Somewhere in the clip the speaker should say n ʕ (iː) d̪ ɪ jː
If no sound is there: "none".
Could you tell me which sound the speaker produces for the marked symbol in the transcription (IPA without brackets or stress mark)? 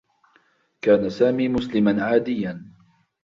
aː